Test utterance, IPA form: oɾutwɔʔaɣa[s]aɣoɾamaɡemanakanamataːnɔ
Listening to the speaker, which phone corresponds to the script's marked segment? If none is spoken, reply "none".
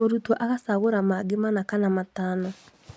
s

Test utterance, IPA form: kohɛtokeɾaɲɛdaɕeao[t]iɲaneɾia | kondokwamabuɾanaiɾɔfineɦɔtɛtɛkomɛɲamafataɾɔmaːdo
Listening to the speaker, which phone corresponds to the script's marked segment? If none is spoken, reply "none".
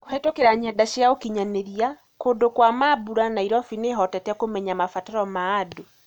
k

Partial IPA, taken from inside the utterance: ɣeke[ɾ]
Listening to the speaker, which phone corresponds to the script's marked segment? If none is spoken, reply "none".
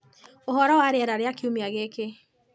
none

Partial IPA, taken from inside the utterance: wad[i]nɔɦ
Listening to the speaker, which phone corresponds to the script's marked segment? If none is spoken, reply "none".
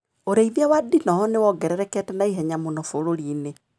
i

